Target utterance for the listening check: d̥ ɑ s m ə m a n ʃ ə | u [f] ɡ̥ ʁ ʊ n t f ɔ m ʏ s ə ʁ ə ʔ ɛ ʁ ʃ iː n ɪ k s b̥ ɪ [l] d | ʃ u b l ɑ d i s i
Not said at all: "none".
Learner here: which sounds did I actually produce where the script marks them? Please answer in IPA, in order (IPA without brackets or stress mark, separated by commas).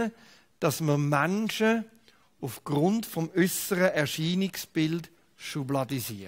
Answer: f, l